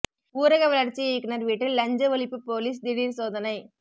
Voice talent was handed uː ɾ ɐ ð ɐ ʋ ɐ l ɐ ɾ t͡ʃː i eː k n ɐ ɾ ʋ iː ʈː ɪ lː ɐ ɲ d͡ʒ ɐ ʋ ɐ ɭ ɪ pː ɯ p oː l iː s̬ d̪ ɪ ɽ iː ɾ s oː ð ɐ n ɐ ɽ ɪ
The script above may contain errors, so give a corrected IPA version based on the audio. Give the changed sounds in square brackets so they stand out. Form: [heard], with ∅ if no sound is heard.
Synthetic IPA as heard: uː ɾ ɐ [ɣ] ɐ ʋ ɐ l ɐ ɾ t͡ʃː i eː k n ɐ ɾ ʋ iː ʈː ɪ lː ɐ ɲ d͡ʒ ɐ ʋ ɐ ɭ ɪ pː ɯ p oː l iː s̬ d̪ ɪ ɽ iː ɾ s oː ð ɐ n ɐ [∅] ɪ